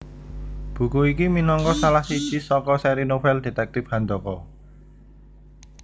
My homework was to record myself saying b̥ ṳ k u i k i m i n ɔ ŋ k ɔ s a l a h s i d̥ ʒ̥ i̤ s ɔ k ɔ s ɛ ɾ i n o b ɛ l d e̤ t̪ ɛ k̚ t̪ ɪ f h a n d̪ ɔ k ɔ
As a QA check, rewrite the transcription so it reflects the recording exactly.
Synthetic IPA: b̥ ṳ k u i k i m i n ɔ ŋ k ɔ s a l a h s i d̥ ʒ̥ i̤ s ɔ k ɔ s ɛ ɾ i n o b ɛ l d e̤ t̪ ɛ k̚ t̪ ɪ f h a n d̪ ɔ k ɔ